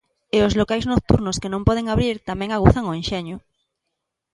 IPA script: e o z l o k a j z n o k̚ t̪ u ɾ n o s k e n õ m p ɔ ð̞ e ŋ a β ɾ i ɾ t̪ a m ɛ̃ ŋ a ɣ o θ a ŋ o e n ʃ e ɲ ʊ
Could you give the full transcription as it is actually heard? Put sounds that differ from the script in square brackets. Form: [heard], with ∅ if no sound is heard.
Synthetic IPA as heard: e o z l o k a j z n o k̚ t̪ u ɾ n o s k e n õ m p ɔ ð̞ e ŋ a β ɾ i ɾ t̪ a m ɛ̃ ŋ a ɣ [u] θ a ŋ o e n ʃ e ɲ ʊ